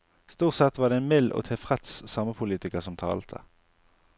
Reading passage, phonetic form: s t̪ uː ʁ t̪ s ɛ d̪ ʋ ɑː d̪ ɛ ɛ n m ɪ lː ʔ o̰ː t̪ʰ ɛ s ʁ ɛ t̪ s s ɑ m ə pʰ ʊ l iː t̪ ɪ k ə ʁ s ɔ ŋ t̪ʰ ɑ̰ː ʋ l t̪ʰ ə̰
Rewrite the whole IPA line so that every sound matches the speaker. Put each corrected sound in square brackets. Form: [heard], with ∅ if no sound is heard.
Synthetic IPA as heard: s t̪ uː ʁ t̪ s ɛ [t̪] ʋ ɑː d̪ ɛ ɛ n m ɪ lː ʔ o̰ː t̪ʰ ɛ [f] ʁ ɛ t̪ s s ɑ m ə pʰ ʊ l iː t̪ ɪ k ə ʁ s ɔ [m] t̪ʰ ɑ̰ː [∅] l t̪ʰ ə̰